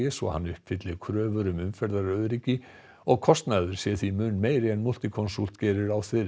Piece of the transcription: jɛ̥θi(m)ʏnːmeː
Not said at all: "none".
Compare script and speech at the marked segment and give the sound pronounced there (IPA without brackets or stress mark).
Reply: m